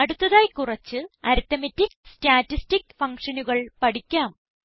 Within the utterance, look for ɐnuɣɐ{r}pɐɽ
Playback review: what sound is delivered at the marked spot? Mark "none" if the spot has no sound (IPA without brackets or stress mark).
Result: ɭ